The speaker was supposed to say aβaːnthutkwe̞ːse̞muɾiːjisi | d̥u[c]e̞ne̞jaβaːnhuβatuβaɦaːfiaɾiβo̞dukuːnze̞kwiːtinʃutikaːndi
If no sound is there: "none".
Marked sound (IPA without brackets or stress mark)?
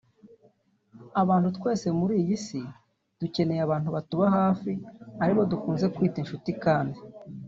c